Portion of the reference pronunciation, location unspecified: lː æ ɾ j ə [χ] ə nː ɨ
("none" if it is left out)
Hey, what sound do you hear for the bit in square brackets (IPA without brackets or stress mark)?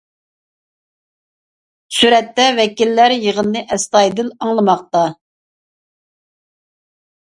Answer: ʁ